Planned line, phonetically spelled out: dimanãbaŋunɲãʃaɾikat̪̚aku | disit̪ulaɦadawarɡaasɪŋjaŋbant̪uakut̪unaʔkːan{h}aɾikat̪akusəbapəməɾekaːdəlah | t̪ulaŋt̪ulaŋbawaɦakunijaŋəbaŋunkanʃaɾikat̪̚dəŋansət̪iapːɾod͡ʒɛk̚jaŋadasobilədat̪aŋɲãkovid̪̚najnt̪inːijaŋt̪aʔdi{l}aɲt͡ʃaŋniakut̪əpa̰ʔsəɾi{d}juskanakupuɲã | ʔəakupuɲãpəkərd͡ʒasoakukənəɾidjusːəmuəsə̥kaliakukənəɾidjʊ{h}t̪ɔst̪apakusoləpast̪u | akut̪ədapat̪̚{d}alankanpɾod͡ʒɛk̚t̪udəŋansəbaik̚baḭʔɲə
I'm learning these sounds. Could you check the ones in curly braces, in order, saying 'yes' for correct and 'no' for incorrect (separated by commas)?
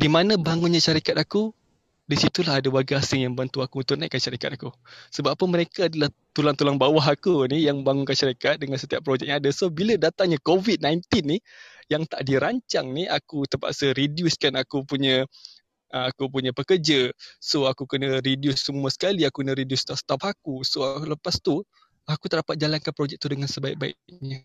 no, no, yes, no, no